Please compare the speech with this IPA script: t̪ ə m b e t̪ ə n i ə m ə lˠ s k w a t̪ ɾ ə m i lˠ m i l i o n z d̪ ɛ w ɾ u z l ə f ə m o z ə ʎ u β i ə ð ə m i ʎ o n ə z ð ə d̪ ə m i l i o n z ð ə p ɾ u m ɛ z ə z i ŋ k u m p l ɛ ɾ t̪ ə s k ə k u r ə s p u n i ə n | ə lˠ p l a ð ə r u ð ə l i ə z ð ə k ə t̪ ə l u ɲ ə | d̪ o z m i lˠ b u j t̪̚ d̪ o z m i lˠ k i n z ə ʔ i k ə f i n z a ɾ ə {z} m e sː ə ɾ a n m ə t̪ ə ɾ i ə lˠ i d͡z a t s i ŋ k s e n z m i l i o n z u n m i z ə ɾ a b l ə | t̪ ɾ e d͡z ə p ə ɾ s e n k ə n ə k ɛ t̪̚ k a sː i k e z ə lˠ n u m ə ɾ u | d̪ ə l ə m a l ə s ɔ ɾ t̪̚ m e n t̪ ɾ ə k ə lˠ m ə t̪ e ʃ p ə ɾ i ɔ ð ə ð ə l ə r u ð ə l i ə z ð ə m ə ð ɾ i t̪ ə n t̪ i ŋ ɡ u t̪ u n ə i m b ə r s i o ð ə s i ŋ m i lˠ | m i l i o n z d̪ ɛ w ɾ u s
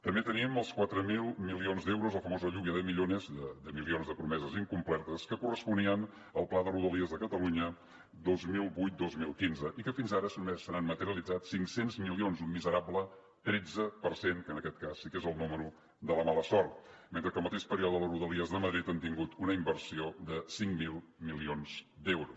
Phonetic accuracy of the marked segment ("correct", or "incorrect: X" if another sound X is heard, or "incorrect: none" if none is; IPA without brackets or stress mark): incorrect: s